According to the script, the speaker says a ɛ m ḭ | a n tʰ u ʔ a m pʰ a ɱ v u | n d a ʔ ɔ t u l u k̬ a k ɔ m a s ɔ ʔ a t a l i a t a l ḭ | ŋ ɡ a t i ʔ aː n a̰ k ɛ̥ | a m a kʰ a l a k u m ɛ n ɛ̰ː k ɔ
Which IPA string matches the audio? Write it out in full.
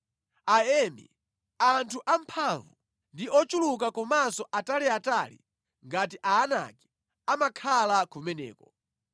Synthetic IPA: a ɛ m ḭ | a n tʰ u ʔ a m pʰ a ɱ v u | n d i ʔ ɔ t͡ʃ u l u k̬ a k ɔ m a s ɔ ʔ a t a l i a t a l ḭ | ŋ ɡ a t i ʔ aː n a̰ k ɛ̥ | a m a kʰ a l a k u m ɛ n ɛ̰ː k ɔ